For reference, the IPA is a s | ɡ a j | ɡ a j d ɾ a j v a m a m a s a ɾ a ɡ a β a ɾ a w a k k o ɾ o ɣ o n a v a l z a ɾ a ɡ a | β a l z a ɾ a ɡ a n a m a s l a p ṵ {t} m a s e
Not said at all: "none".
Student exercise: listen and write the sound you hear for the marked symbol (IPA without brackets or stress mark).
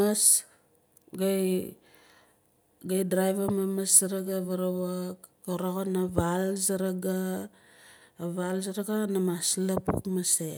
k